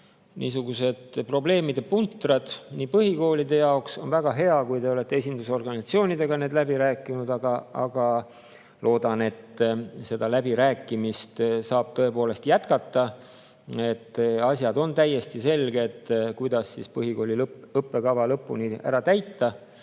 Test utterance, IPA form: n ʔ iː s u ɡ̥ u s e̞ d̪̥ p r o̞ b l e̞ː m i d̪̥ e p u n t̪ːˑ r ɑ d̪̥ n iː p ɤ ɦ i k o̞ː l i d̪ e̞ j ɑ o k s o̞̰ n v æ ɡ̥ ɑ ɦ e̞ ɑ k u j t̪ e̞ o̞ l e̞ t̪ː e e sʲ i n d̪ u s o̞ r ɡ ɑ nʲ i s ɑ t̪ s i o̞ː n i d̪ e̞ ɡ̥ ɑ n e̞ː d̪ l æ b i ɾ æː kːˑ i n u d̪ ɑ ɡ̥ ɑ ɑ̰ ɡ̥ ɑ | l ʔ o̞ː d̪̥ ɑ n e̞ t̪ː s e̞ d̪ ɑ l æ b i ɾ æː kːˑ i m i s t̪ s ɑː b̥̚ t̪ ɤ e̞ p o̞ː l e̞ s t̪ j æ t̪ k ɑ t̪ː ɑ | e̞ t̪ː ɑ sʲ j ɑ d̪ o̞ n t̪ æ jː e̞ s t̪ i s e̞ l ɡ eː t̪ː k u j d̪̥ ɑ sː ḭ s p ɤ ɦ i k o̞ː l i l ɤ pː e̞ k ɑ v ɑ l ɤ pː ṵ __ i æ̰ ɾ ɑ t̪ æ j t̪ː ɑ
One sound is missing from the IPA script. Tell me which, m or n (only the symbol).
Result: n